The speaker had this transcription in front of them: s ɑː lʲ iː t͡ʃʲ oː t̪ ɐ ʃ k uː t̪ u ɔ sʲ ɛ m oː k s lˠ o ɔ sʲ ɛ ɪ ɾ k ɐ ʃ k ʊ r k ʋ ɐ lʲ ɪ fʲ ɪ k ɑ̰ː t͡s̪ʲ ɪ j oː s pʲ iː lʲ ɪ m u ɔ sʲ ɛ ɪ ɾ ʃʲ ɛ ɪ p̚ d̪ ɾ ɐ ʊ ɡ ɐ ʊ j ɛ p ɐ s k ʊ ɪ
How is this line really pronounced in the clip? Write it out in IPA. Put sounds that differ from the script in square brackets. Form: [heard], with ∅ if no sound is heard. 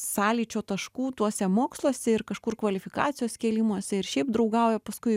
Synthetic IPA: s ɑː lʲ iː t͡ʃʲ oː t̪ ɐ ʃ k uː t̪ u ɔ sʲ ɛ m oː k s lˠ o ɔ sʲ ɛ ɪ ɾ k ɐ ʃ k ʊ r k ʋ ɐ lʲ ɪ fʲ ɪ k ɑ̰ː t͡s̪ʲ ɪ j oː s [kʲ] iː lʲ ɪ m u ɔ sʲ ɛ ɪ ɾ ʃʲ ɛ ɪ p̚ d̪ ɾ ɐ ʊ ɡ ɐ ʊ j ɛ p ɐ s k ʊ ɪ